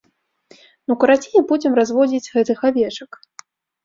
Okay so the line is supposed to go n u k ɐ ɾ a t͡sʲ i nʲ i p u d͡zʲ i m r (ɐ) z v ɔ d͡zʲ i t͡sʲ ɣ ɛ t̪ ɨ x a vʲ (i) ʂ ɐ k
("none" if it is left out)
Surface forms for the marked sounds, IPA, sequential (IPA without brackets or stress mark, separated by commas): a, ɛ